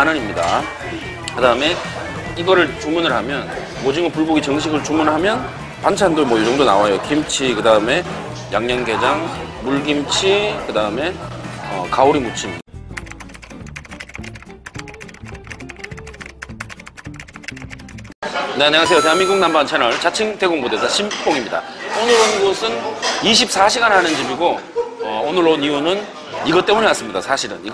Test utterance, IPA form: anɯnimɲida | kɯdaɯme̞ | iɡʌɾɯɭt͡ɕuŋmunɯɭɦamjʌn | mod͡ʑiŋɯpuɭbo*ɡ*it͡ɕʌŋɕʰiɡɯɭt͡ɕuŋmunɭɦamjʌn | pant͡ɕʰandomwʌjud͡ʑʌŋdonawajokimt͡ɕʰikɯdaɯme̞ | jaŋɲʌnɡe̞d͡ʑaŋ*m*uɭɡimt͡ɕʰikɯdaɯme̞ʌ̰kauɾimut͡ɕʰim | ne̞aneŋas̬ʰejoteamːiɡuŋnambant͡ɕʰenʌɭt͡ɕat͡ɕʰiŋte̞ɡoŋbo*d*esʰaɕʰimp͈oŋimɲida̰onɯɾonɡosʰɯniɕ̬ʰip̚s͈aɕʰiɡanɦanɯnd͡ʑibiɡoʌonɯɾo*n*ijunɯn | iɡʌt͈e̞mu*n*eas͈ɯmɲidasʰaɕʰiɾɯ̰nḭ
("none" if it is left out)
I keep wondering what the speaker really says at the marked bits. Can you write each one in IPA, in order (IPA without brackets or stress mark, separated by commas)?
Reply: ɡ, m, d, n, ɲ